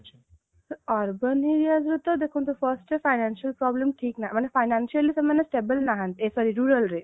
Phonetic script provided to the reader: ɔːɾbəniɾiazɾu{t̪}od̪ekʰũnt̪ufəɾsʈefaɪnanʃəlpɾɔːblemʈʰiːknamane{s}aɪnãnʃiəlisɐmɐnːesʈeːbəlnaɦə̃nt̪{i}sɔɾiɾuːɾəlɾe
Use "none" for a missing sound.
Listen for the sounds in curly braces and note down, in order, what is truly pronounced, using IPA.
t̪, f, e

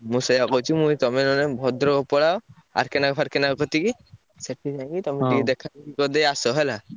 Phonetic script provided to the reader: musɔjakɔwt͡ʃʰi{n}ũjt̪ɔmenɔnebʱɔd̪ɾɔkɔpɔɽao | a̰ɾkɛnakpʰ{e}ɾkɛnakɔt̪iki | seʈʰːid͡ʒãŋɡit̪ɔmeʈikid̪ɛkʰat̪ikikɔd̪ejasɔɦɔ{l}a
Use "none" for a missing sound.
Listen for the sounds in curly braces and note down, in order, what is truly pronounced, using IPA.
m, a, l

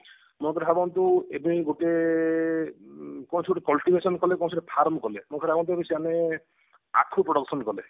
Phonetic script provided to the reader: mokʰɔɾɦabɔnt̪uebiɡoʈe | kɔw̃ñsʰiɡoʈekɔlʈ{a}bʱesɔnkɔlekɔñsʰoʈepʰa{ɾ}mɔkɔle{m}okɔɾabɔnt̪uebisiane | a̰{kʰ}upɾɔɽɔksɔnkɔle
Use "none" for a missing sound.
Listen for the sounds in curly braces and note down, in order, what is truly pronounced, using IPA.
i, ɾ, m, kʰ

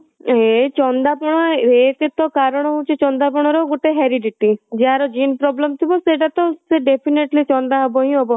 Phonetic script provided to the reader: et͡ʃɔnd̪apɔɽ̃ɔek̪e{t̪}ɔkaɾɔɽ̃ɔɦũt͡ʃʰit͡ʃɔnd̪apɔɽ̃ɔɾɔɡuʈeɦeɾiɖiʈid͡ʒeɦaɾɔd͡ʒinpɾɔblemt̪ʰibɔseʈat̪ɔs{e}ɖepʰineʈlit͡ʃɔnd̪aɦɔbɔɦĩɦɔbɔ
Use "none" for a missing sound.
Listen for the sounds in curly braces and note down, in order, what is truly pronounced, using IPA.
t̪, e

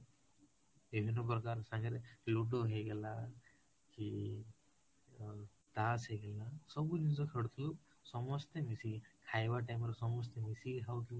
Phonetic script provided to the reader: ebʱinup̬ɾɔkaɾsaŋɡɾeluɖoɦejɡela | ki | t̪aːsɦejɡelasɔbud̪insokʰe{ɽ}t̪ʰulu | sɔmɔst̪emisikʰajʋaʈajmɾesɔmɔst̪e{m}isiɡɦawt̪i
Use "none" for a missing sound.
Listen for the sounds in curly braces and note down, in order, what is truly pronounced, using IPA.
ɽ, m

